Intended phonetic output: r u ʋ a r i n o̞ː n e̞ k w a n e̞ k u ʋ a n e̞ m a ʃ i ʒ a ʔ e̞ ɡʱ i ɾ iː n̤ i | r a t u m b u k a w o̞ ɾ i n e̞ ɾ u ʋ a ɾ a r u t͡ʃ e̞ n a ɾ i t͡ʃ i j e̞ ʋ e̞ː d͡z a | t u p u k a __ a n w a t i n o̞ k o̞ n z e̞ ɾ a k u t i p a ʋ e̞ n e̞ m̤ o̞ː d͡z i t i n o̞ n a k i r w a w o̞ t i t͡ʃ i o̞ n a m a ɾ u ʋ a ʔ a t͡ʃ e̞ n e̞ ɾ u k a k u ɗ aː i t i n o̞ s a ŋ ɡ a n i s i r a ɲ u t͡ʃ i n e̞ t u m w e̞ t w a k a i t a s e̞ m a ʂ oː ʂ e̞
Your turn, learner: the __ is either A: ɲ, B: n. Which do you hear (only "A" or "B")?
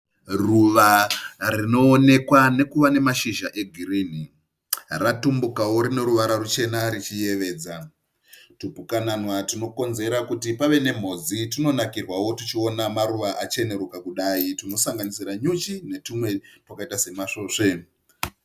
B